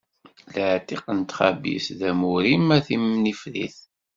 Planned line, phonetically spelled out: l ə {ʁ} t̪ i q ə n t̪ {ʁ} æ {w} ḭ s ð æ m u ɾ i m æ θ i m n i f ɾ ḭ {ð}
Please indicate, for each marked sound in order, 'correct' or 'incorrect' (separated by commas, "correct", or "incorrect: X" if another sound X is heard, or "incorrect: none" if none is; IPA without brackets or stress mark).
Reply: incorrect: ʕ, incorrect: χ, incorrect: b, incorrect: θ